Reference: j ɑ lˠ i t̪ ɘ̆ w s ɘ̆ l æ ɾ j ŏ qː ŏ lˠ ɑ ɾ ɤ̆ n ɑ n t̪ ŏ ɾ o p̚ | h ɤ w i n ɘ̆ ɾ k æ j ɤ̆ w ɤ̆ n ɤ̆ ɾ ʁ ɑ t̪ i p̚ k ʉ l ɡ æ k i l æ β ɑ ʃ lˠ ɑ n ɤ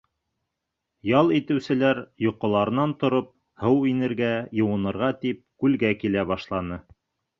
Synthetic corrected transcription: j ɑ lˠ i t̪ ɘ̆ w s ɘ̆ l æ ɾ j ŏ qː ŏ lˠ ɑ ɾ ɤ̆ n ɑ n t̪ ŏ ɾ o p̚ | h ɤ w i n ɘ̆ ɾ ɡ æ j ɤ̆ w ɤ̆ n ɤ̆ ɾ ʁ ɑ t̪ i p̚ k ʉ l ɡ æ k i l æ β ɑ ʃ lˠ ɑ n ɤ